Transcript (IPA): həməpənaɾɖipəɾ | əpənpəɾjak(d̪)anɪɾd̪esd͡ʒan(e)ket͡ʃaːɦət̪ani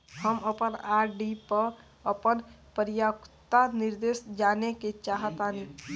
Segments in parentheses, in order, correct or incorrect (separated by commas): incorrect, correct